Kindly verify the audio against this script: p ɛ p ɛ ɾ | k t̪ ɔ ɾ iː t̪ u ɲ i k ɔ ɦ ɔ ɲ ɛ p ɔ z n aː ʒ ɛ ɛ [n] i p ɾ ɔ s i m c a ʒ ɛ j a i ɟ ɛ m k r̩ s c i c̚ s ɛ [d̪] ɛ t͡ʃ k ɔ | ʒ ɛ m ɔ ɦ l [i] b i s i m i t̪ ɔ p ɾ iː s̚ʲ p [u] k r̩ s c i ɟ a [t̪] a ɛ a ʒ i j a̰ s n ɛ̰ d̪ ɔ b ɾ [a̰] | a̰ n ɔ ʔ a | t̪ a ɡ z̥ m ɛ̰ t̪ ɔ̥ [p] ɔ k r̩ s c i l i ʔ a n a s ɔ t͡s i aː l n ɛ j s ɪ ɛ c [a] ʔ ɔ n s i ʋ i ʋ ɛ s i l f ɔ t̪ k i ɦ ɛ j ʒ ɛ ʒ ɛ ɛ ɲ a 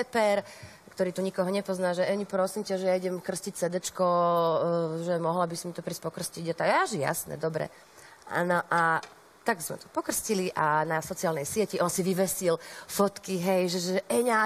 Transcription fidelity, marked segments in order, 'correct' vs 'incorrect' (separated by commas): incorrect, correct, incorrect, incorrect, correct, incorrect, correct, incorrect